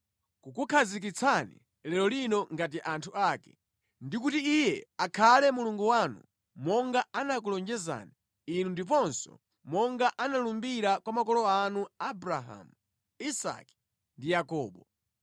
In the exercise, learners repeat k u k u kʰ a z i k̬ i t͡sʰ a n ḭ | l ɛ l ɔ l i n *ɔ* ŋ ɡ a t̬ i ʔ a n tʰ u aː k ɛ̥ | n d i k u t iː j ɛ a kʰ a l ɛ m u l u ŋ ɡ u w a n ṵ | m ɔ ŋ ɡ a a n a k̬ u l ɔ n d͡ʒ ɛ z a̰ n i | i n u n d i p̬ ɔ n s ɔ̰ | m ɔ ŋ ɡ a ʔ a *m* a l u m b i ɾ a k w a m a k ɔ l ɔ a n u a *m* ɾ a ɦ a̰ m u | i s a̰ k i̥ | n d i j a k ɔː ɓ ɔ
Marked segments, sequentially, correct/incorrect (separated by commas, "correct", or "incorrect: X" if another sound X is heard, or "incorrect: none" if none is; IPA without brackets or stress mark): correct, incorrect: n, incorrect: b